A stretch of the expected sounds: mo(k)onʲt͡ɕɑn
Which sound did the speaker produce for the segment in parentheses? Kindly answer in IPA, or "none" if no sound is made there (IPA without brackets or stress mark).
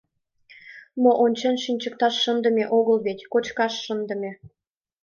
ʔ